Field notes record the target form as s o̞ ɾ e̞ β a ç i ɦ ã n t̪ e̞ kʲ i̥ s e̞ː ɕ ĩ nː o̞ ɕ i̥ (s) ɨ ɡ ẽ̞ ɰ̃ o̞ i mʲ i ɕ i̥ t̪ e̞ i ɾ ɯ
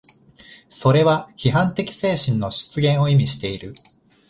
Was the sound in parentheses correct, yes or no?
no